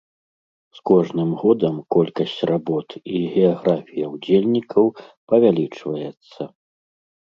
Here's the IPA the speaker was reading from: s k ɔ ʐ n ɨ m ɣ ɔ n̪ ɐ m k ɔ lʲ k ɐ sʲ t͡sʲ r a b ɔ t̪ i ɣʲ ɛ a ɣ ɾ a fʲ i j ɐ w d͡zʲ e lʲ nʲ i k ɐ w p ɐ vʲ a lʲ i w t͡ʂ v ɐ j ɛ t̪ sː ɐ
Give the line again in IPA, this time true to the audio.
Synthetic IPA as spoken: s k ɔ ʐ n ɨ m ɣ ɔ d̪ ɐ m k ɔ lʲ k ɐ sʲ t͡sʲ r a b ɔ t̪ i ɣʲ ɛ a ɣ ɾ a fʲ i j ɐ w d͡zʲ e lʲ nʲ i k ɐ w p ɐ vʲ a lʲ i t͡ʂ v ɐ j ɛ t̪ sː ɐ